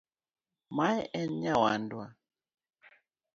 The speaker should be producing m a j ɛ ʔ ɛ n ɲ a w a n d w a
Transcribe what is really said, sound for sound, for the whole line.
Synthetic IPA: m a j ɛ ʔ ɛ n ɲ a w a n d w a